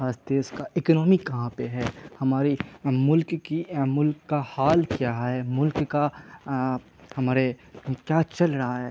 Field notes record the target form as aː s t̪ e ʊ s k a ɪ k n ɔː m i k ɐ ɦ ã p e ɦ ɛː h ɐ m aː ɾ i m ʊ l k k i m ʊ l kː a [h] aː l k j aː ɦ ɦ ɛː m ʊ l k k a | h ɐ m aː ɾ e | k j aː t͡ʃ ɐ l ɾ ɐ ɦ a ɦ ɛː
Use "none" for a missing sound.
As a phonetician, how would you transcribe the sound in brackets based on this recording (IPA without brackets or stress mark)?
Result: h